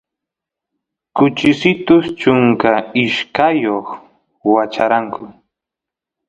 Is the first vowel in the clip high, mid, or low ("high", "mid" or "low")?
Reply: high